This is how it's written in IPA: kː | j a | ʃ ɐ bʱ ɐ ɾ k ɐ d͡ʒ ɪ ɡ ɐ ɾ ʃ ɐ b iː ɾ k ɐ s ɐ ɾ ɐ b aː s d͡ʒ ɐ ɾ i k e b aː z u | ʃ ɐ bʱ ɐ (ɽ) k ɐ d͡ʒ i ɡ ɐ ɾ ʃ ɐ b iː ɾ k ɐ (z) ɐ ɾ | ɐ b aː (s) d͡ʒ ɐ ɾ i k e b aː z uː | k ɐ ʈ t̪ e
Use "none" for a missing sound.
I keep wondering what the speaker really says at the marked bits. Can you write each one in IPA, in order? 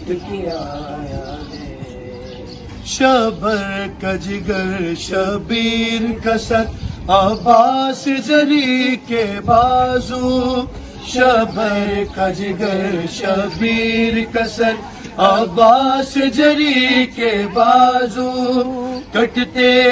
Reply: ɾ, s, s

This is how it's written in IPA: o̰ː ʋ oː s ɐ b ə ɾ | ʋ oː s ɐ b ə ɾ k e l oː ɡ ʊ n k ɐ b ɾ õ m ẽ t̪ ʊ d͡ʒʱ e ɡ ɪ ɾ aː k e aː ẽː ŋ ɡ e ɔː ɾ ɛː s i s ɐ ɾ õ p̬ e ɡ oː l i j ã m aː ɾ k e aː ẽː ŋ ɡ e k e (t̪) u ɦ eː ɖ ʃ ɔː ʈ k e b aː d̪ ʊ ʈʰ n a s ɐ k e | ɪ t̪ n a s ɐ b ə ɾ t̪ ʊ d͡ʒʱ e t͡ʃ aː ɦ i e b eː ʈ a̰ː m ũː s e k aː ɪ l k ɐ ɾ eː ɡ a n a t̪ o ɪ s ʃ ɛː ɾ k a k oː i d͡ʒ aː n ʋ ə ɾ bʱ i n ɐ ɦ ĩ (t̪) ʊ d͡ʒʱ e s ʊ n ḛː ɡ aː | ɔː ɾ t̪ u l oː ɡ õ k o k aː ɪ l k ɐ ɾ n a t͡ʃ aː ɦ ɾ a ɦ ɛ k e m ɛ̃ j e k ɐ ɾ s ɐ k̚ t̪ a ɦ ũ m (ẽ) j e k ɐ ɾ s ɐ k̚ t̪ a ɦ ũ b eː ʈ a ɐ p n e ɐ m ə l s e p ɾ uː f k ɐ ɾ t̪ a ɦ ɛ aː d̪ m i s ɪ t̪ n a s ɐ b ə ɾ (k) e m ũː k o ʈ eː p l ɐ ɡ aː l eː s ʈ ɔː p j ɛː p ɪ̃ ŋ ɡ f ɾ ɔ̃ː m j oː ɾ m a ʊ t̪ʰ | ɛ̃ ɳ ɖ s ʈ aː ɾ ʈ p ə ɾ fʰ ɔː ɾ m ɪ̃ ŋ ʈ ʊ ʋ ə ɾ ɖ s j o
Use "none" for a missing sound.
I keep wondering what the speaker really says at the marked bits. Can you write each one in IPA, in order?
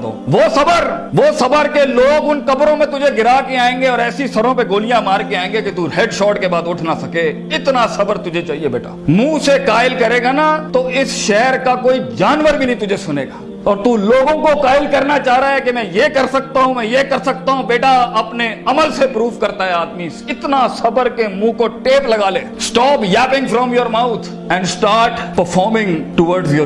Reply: t̪, t̪, ɛ̃, k

